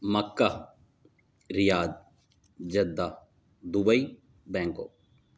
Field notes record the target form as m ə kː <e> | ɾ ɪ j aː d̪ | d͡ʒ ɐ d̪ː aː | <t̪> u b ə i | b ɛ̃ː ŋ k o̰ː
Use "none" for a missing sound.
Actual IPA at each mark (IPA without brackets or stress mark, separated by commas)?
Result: a, d̪